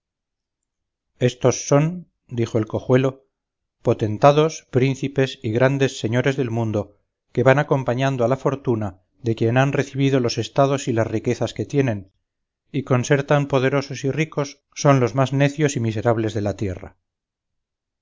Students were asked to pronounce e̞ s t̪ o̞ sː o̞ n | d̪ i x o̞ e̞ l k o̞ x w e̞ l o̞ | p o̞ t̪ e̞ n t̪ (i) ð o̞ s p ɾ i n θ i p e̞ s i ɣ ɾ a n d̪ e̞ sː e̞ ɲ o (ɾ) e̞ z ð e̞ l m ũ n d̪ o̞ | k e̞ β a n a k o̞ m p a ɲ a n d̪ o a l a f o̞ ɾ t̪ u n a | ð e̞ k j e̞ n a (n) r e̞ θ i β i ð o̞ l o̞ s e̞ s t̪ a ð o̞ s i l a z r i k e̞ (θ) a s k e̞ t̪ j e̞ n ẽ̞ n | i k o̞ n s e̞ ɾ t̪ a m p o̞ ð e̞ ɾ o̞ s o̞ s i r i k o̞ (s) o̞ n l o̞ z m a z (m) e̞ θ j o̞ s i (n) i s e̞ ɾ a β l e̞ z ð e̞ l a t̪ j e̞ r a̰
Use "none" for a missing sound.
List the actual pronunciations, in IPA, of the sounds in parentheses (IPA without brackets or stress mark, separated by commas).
a, ɾ, n, θ, sː, n, m